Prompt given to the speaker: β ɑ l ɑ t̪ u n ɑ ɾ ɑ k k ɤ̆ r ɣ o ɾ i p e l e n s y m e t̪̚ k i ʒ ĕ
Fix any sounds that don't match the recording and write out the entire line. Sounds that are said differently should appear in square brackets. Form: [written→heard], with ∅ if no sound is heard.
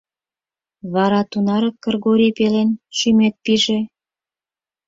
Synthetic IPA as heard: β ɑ [l→ɾ] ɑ t̪ u n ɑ ɾ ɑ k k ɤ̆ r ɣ o ɾ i p e l e n [s→ʃ] y m e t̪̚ [k→p] i ʒ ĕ